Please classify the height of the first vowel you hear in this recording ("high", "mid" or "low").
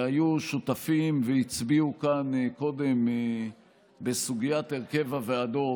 low